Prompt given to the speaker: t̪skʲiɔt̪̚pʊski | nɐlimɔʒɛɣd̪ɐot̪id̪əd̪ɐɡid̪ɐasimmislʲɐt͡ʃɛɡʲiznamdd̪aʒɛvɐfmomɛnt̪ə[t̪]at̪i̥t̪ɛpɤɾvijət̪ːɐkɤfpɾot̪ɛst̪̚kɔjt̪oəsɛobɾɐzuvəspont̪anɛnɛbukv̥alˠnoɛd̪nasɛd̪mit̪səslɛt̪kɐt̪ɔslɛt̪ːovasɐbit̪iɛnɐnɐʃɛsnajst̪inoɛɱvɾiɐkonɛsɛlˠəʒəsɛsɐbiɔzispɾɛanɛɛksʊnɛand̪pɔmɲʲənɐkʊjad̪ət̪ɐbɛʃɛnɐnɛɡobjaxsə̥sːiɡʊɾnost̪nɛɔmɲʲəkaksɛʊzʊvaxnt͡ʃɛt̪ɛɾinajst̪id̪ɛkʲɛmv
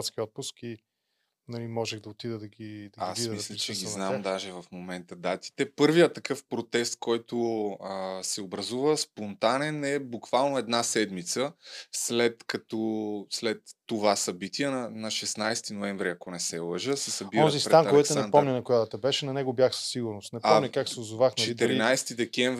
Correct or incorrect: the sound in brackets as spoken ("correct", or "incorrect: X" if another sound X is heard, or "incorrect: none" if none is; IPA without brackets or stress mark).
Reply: incorrect: d̪